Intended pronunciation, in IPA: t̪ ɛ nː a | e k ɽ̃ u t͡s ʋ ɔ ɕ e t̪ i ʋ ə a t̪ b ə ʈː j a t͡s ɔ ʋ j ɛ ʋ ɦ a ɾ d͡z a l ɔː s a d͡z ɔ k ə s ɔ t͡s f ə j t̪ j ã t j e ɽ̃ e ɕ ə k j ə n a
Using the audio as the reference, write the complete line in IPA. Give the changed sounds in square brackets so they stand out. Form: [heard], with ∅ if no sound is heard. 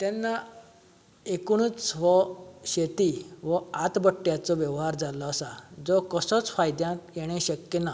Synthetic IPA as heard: t̪ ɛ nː a | e k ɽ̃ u t͡s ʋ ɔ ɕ e t̪ i ʋ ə a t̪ b ə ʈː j a t͡s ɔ ʋ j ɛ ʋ ɦ a ɾ d͡z a l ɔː s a d͡z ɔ k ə s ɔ t͡s f [a] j [d̪] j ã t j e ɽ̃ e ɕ ə k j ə n a